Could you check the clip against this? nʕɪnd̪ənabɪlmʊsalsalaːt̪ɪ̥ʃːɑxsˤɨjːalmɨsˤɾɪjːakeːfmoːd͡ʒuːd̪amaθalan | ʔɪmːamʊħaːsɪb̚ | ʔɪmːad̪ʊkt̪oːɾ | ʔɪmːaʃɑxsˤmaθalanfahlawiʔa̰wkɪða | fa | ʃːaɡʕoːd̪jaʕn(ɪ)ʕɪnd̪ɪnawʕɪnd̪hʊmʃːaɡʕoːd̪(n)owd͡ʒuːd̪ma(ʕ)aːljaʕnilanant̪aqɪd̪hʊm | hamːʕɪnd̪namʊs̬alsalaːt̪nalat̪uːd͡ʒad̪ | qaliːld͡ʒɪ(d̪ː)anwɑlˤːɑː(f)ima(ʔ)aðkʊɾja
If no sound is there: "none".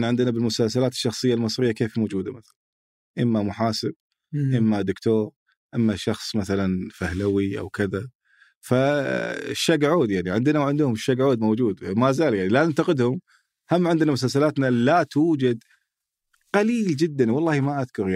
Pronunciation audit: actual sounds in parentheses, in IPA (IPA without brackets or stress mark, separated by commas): i, m, z, d̪ː, h, ʔ